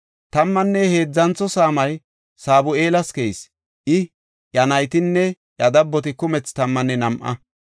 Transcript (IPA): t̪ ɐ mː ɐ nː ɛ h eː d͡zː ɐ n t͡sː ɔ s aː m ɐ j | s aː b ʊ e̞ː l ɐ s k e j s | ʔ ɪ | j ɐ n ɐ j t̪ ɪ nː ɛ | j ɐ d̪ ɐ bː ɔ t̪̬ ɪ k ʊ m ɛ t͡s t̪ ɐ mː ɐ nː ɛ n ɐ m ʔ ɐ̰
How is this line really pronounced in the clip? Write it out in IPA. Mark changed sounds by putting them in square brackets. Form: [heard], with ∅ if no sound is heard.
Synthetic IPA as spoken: t̪ ɐ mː ɐ nː ɛ h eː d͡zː ɐ n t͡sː ɔ s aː m ɐ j | s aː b ʊ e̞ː l ɐ s k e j s | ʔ ɪ | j ɐ n ɐ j t̪ ɪ nː ɛ | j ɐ d̪ ɐ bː ɔ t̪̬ ɪ k ʊ m ɛ t͡s t̪ ɐ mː ɐ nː ɛ n ɐ m ʔ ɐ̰